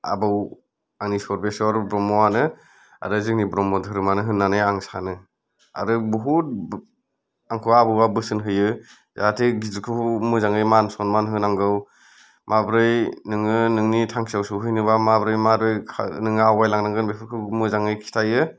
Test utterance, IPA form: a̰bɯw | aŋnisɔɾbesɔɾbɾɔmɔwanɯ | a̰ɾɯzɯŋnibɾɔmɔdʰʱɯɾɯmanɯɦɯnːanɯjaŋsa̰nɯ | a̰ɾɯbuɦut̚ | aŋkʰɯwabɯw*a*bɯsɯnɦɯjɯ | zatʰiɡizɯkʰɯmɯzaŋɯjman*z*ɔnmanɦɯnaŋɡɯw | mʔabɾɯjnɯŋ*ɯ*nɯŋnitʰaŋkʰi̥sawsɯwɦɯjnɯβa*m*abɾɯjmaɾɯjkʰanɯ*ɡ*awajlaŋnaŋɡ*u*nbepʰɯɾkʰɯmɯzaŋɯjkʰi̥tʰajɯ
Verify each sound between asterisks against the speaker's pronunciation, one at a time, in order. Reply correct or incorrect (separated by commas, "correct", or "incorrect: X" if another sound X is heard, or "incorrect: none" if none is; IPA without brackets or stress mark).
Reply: correct, incorrect: s, correct, correct, incorrect: ŋ, incorrect: ɯ